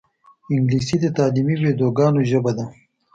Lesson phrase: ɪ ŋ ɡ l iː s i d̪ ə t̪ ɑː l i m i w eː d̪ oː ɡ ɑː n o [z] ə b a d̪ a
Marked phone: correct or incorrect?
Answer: incorrect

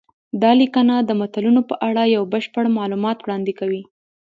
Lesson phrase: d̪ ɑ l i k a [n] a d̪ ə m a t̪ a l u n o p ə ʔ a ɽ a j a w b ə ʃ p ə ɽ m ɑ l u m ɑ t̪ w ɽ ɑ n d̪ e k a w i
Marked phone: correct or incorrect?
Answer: correct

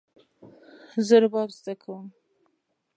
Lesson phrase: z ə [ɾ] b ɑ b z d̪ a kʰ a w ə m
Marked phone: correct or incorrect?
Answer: correct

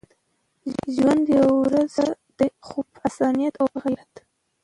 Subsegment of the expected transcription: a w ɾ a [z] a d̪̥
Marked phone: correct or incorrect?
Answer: correct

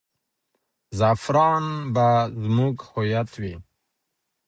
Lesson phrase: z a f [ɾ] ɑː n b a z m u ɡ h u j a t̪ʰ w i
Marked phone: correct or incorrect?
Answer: correct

